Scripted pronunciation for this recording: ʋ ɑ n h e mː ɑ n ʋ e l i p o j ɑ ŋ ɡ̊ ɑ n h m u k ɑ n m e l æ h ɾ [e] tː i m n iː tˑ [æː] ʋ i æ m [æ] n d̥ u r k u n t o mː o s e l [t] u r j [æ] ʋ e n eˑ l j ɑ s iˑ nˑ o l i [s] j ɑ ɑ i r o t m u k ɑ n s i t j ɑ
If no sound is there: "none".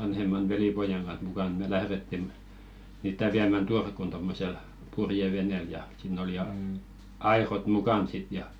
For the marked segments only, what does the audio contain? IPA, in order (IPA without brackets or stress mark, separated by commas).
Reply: e, æ, æ, p, e, none